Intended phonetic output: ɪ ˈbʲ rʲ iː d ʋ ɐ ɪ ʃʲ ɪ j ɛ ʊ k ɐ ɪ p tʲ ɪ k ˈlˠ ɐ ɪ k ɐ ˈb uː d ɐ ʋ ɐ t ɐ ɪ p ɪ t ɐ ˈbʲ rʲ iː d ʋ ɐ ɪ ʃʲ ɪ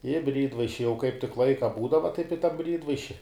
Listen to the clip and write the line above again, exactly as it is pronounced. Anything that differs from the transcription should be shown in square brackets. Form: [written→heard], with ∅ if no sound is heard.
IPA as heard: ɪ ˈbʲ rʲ iː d ʋ ɐ ɪ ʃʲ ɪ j ɛ ʊ k ɐ ɪ p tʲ ɪ k ˈlˠ ɐ ɪ k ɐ ˈb uː d ɐ ʋ ɐ t ɐ ɪ p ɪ t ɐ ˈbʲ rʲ iː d ʋ ɐ ɪ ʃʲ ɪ